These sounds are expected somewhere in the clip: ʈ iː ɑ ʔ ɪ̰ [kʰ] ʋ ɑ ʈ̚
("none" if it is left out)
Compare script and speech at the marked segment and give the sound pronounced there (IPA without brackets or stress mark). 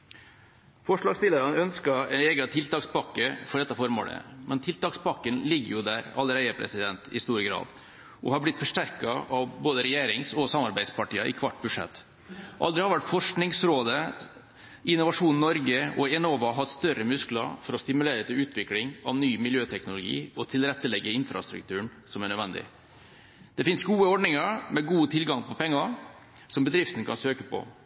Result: kʰ